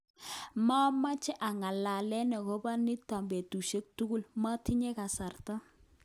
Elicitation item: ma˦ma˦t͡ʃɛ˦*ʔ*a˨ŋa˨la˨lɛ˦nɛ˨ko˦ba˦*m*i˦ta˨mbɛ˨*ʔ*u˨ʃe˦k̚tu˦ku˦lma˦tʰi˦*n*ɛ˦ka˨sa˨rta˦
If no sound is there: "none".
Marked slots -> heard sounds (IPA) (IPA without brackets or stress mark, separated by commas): ʔ, n, t, ɲ